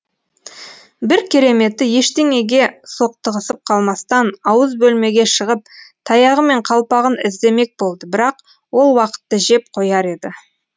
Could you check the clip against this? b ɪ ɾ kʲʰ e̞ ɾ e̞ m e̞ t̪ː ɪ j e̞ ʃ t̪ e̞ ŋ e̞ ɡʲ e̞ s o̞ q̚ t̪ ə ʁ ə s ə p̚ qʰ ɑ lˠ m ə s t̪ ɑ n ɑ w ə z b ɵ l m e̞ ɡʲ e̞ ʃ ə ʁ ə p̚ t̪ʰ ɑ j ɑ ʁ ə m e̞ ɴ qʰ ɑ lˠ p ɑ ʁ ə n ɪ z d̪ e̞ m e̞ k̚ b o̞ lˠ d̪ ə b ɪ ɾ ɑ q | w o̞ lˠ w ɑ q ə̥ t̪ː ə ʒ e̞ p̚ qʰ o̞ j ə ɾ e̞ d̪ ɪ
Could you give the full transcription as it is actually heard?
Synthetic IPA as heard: b ɪ ɾ kʲʰ e̞ ɾ e̞ m e̞ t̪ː ɪ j e̞ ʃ t̪ e̞ ŋ e̞ ɡʲ e̞ s o̞ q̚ t̪ ə ʁ ə s ə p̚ qʰ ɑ lˠ m ɑ s t̪ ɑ n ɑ w ə z b ɵ l m e̞ ɡʲ e̞ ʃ ə ʁ ə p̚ t̪ʰ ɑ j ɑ ʁ ə m e̞ ɴ qʰ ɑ lˠ p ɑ ʁ ə n ɪ z d̪ e̞ m e̞ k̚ b o̞ lˠ d̪ ə b ɪ ɾ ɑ q | w o̞ lˠ w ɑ q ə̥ t̪ː ə ʒ e̞ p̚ qʰ o̞ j ɑ ɾ e̞ d̪ ɪ

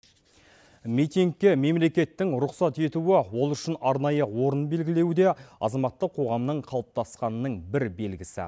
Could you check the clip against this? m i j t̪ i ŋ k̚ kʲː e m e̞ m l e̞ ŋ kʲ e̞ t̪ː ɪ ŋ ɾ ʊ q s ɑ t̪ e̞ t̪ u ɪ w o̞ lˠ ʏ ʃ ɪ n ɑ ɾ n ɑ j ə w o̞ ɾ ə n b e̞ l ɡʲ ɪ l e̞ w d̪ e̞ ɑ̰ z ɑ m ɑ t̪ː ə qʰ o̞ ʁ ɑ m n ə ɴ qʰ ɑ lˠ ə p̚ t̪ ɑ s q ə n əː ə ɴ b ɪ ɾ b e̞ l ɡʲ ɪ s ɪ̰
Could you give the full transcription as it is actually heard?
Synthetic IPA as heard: m i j t̪ i ŋ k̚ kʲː e m e̞ m l e̞ kʲ e̞ t̪ː ɪ ŋ ɾ ʊ q s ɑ t̪ e̞ t̪ u ɪ w o̞ lˠ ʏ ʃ ɪ n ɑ ɾ n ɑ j ə w o̞ ɾ ə n b e̞ l ɡʲ ɪ l e̞ w d̪ e̞ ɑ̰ z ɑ m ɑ t̪ː ə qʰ o̞ ʁ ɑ m n ə ɴ qʰ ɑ lˠ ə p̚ t̪ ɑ s q ɑ n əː ə ɴ b ɪ ɾ b e̞ l ɡʲ ɪ s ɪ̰

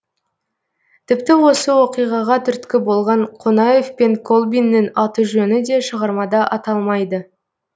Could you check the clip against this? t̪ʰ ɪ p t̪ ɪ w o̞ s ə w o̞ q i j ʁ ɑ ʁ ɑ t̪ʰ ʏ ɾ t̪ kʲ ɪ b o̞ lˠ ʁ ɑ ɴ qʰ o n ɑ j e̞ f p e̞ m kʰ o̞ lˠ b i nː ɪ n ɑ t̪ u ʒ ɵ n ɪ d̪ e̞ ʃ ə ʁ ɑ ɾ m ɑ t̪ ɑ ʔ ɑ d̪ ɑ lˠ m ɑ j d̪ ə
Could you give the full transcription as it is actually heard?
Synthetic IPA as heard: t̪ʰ ɪ p t̪ ɪ w o̞ s ə w o̞ q i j ʁ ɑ ʁ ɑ t̪ʰ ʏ ɾ t̪ kʲ ɪ b o̞ lˠ ʁ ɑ ɴ qʰ o n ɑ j e̞ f p e̞ ŋ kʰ o̞ lˠ b i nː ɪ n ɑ t̪ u ʒ ɵ n ɪ d̪ e̞ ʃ ə ʁ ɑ ɾ m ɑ d̪ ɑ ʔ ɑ t̪ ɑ lˠ m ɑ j d̪ ə

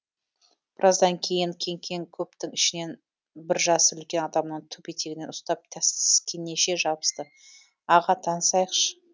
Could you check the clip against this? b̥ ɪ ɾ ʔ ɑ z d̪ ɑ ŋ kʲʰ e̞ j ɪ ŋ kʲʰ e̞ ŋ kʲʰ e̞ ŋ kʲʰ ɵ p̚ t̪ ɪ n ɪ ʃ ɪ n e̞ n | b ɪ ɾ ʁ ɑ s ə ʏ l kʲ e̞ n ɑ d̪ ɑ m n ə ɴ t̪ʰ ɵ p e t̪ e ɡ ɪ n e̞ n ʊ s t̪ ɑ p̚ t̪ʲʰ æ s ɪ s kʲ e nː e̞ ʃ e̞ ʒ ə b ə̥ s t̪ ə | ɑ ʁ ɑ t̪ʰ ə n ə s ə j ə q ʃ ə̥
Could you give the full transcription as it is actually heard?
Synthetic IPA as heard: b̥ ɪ ɾ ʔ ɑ z d̪ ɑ ŋ kʲʰ e̞ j ɪ ŋ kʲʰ e̞ ŋ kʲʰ e̞ ŋ kʲʰ ɵ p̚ t̪ ɪ ŋ ɪ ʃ ɪ n e̞ n | b ɪ ɾ ʒ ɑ s ə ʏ l kʲ e̞ n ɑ d̪ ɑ m n ə ɴ t̪ʰ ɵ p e t̪ e ɡ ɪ n e̞ n ʊ s t̪ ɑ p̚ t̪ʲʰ æ s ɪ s kʲ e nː e̞ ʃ e̞ ʒ ɑ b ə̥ s t̪ ə | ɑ ʁ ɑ t̪ʰ ɑ n ə s ɑ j ə q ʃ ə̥

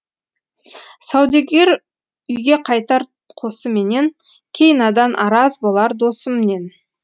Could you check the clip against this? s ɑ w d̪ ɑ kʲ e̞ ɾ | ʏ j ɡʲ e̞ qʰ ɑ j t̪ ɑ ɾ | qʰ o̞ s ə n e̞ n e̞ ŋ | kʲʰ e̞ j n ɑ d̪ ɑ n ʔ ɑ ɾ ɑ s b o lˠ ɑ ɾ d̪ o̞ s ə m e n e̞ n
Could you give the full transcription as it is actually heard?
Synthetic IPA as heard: s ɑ w d̪ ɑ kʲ e̞ ɾ | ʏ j ɡʲ e̞ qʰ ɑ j t̪ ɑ ɾ | qʰ o̞ s ə m e̞ n e̞ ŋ | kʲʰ e̞ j n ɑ d̪ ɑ n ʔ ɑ ɾ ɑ z b o lˠ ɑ ɾ d̪ o̞ s ə m e n e̞ n

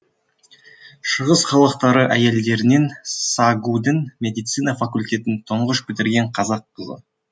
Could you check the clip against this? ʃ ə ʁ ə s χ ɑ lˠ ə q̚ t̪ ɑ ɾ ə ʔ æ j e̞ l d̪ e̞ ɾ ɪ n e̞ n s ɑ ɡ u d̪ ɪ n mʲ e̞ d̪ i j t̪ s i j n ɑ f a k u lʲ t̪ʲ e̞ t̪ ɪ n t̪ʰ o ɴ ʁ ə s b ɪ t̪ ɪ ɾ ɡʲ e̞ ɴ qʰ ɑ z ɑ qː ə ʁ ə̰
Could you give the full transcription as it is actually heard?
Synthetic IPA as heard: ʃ ə ʁ ə s χ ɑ lˠ ə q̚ t̪ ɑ ɾ ə ʔ æ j e̞ l d̪ e̞ ɾ ɪ n e̞ n s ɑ ɡ u d̪ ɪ n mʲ e̞ d̪ i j t̪ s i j n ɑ f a k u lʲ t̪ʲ e̞ t̪ ɪ n t̪ʰ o ɴ ʁ ə ʃ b ɪ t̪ ɪ ɾ ɡʲ e̞ ɴ qʰ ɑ z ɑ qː ə z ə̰

